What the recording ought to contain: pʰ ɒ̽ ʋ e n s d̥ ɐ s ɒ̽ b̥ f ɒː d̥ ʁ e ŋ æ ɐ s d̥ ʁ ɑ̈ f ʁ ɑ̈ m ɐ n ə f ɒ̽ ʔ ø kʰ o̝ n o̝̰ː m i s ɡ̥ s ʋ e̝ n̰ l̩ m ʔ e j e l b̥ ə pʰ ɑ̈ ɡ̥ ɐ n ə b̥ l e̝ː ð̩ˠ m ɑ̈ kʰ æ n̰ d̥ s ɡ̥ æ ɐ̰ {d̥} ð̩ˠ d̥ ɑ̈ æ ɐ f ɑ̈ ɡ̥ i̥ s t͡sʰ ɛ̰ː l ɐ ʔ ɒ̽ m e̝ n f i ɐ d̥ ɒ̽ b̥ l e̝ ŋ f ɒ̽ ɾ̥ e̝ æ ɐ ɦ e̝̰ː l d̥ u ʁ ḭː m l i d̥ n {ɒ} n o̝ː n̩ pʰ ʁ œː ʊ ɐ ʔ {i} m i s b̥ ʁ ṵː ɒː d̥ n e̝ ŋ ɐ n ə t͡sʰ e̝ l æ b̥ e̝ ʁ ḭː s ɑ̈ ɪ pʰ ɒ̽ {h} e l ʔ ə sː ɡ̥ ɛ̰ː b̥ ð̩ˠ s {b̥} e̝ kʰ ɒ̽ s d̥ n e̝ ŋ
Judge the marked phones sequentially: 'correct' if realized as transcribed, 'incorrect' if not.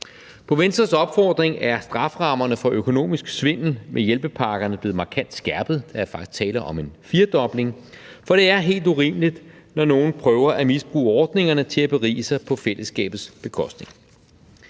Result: incorrect, correct, incorrect, incorrect, correct

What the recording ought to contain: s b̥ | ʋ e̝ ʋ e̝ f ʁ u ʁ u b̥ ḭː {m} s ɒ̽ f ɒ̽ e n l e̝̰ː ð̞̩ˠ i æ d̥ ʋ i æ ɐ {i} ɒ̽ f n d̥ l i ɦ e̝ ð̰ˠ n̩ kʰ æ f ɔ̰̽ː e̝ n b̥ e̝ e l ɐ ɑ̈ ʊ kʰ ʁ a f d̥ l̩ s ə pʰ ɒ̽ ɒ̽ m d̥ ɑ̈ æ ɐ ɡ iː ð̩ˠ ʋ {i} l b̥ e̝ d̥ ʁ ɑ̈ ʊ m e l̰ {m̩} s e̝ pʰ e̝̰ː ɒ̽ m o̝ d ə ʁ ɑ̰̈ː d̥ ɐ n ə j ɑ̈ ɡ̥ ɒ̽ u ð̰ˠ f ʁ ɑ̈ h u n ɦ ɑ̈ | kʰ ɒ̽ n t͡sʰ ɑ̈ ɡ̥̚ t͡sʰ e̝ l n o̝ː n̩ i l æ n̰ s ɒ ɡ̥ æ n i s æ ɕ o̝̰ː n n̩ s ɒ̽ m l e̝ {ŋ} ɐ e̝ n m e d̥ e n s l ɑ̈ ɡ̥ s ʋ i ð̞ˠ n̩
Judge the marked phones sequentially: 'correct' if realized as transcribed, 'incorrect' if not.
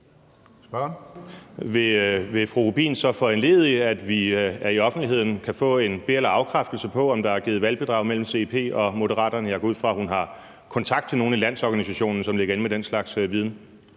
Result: incorrect, correct, incorrect, correct, incorrect

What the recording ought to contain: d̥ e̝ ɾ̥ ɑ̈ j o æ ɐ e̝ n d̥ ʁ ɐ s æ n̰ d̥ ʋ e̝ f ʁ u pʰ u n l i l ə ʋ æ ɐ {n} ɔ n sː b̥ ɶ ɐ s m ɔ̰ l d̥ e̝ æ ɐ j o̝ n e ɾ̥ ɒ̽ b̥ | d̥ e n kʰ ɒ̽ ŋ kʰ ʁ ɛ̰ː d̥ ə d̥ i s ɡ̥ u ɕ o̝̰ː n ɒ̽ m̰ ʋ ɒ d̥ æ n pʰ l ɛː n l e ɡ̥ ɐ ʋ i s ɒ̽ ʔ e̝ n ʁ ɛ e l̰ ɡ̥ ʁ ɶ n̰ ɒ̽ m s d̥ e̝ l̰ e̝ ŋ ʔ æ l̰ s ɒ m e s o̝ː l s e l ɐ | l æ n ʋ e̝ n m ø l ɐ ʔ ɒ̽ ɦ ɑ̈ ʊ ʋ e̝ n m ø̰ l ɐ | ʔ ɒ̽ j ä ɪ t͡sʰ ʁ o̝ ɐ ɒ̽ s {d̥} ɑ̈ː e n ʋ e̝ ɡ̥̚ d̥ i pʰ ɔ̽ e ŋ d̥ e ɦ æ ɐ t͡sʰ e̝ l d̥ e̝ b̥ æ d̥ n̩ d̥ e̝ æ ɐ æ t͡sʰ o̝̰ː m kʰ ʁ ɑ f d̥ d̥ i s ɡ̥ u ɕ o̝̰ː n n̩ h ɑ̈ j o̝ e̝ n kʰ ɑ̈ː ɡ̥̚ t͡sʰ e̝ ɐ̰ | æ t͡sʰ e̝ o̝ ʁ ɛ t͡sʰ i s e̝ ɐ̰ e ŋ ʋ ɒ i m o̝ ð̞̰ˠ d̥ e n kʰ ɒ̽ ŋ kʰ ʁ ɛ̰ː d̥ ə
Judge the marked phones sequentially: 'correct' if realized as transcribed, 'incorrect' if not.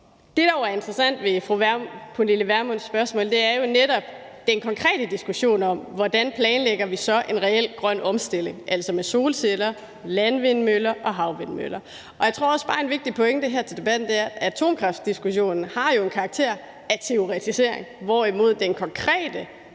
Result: incorrect, incorrect

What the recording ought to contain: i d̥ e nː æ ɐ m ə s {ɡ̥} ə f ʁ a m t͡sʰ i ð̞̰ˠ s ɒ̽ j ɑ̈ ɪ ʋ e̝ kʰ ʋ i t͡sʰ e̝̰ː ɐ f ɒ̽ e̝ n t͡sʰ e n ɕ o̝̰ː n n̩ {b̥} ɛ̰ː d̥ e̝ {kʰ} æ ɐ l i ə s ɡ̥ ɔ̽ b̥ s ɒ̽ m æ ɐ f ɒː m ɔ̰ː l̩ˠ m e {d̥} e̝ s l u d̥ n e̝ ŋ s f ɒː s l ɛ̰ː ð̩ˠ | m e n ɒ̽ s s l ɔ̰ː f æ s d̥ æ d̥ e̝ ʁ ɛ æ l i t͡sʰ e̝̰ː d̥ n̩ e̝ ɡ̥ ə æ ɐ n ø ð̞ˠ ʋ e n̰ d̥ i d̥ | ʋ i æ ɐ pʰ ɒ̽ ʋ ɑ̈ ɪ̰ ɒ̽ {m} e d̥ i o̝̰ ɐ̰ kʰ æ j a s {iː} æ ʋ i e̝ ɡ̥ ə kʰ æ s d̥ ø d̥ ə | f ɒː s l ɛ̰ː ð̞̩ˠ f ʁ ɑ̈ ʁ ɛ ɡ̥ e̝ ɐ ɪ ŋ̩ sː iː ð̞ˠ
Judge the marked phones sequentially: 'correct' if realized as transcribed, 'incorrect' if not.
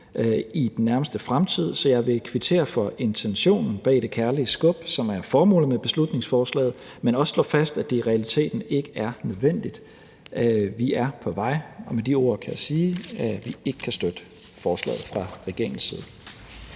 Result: incorrect, correct, correct, incorrect, correct, correct

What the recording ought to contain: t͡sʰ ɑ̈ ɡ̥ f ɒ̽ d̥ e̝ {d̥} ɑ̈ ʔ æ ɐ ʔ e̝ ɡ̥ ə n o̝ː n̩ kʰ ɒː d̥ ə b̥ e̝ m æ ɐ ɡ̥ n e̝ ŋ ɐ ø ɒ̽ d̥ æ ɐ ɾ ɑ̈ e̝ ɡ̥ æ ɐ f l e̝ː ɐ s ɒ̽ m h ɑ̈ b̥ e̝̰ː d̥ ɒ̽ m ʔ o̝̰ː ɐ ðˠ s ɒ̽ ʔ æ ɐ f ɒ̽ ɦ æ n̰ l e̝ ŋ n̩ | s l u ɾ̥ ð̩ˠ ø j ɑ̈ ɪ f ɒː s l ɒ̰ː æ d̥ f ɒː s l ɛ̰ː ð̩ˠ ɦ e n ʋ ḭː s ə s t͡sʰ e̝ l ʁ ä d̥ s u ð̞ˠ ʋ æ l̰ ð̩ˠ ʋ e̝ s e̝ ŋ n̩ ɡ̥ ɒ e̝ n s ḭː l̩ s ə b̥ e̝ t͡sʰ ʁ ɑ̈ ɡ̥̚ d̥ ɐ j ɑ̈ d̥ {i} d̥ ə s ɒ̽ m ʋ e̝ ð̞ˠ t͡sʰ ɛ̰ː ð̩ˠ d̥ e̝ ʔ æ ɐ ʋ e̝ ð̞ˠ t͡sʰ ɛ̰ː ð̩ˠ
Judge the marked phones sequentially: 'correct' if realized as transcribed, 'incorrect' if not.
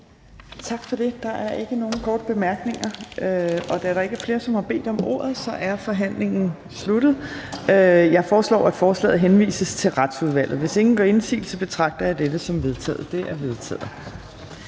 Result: correct, incorrect

